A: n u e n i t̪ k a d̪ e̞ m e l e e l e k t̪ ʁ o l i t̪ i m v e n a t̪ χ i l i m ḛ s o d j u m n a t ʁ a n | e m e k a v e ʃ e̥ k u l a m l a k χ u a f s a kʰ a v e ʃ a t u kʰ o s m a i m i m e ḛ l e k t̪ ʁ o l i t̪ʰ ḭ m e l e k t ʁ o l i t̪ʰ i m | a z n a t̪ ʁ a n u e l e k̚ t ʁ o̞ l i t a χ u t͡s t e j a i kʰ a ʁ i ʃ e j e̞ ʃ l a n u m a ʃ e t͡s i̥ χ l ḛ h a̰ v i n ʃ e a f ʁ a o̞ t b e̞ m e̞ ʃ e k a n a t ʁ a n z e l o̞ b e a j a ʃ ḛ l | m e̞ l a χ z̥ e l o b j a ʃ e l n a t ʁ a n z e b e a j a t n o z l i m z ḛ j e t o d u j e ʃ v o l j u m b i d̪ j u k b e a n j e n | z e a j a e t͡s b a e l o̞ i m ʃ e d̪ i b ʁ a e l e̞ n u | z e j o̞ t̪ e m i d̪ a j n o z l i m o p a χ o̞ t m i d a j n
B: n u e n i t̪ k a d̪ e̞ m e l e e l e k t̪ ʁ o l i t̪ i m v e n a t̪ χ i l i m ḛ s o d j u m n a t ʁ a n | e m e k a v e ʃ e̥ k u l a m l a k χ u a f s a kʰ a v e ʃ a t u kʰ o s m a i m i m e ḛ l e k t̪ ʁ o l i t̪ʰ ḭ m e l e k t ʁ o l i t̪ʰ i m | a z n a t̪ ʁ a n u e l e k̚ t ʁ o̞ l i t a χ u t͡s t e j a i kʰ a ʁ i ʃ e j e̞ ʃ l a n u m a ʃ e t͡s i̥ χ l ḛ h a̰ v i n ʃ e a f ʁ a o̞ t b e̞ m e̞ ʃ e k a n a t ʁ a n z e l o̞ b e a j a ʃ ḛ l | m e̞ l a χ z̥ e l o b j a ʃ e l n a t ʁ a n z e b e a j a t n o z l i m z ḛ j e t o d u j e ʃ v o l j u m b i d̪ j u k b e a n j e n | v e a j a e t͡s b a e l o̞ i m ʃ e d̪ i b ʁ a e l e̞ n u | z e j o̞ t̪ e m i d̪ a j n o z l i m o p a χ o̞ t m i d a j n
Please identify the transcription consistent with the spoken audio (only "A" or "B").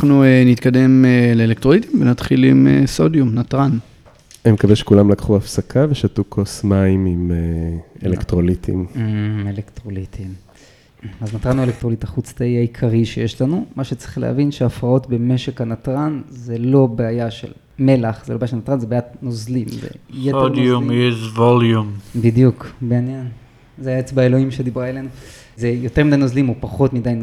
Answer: A